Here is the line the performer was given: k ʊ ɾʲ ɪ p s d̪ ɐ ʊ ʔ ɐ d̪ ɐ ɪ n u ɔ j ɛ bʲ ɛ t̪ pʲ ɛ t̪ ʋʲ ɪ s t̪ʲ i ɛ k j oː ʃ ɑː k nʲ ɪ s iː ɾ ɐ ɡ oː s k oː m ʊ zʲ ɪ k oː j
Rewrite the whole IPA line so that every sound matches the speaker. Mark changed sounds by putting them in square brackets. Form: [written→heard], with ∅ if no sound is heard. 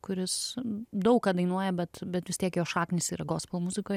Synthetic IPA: k ʊ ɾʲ ɪ [p→∅] s d̪ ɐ ʊ [ʔ→k] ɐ d̪ ɐ ɪ n u ɔ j ɛ bʲ ɛ t̪ [pʲ→bʲ] ɛ t̪ ʋʲ ɪ s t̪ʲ i ɛ k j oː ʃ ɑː k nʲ ɪ s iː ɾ ɐ ɡ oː s [k→p] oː m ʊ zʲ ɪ k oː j